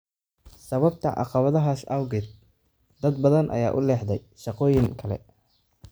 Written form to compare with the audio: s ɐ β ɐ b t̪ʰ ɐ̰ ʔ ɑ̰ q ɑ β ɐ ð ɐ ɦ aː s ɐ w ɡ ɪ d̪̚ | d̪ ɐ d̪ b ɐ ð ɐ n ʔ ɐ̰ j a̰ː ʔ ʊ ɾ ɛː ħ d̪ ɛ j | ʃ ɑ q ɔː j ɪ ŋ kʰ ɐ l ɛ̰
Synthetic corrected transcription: s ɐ β ɐ b t̪ʰ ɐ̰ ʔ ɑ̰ q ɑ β ɐ ð ɐ ɦ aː s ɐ w ɡ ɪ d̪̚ | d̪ ɐ d̪ b ɐ ð ɐ n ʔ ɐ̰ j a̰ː ʔ ʊ l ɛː ħ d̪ ɛ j | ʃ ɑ q ɔː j ɪ ŋ kʰ ɐ l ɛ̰